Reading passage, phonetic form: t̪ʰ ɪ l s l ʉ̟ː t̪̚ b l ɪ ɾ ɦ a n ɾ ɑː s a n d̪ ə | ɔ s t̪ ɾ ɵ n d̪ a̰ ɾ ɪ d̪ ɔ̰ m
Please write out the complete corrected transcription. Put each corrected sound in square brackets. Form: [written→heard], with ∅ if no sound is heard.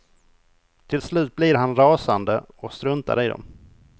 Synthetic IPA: t̪ʰ ɪ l s l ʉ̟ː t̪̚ b l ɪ ɾ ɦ a n ɾ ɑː s a n d̪ ə | ɔ s t̪ ɾ ɵ n [d̪→t̪] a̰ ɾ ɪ d̪ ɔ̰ m